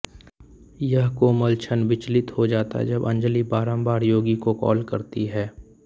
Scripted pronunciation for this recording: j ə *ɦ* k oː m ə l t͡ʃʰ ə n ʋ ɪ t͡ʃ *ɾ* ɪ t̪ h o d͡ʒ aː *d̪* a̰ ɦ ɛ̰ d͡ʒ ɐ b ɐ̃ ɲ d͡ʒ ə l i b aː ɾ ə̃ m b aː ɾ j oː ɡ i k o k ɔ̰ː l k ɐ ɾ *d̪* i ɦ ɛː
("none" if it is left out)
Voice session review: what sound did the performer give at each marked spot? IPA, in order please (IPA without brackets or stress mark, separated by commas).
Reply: ɦ, l, t̪, t̪